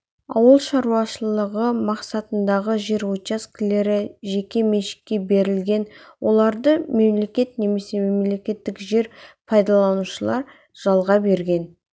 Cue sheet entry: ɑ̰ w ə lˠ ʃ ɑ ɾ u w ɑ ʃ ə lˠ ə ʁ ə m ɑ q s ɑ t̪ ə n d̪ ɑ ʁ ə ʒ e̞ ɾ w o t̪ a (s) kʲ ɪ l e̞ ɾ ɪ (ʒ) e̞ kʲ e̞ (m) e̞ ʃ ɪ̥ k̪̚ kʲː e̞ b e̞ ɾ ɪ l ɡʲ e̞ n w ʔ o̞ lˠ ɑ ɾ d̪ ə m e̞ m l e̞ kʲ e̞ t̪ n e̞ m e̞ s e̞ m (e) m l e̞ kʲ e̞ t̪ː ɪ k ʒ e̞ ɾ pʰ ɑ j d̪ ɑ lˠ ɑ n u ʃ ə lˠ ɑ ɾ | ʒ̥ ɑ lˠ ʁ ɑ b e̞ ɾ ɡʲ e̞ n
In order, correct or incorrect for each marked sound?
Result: correct, correct, correct, correct

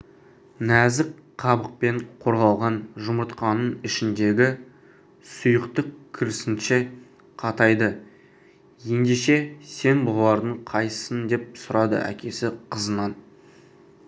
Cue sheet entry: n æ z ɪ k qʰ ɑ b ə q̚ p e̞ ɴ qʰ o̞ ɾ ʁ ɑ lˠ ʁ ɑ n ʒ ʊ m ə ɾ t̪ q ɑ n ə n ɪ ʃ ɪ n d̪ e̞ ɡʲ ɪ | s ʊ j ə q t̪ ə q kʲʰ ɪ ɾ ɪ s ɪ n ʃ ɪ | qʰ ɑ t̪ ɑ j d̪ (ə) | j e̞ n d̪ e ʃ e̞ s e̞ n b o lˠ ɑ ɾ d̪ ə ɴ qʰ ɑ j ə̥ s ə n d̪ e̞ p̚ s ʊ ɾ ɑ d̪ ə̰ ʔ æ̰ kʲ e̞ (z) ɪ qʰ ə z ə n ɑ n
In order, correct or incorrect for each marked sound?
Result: correct, incorrect: s

